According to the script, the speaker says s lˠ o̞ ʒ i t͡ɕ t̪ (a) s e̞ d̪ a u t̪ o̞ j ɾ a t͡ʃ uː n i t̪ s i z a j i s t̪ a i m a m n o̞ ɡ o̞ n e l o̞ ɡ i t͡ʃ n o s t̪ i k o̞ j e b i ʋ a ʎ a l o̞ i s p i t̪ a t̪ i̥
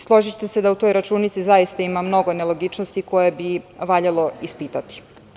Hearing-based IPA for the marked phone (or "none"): e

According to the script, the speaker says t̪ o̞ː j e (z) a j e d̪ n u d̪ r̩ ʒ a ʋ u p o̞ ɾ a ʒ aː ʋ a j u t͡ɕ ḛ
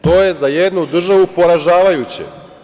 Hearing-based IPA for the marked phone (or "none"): z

